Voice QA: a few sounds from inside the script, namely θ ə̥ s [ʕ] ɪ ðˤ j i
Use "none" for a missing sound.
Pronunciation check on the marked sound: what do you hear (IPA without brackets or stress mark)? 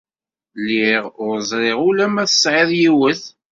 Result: ʕ